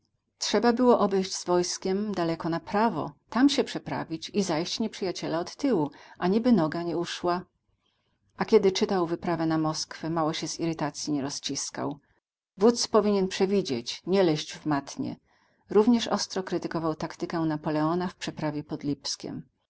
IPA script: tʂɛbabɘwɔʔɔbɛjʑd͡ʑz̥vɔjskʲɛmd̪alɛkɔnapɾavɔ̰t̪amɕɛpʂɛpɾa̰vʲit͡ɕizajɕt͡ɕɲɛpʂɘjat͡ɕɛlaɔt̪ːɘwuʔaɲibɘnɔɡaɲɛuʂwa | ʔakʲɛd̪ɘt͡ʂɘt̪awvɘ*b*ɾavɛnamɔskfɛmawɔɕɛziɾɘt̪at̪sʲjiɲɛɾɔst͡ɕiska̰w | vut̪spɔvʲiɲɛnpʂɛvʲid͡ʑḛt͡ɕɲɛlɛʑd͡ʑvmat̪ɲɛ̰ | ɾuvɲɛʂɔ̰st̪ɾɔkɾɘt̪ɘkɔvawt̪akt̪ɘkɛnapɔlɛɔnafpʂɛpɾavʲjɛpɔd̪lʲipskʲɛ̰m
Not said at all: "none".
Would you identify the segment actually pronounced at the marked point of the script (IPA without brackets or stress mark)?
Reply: p